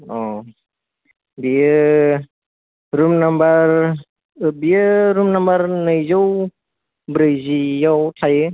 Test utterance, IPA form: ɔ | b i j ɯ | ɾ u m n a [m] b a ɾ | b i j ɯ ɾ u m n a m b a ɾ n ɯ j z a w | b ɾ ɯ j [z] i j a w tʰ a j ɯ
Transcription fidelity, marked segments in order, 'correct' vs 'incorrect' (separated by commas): correct, correct